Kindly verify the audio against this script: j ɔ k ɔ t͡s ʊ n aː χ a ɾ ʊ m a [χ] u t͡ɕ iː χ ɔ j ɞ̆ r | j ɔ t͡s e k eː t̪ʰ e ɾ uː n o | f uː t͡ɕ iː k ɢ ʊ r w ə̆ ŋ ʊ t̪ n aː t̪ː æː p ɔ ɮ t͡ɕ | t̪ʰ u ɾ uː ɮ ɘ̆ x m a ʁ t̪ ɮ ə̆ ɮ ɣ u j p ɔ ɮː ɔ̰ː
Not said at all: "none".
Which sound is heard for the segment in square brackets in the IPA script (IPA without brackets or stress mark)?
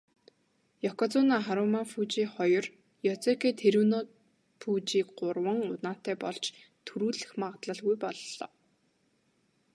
f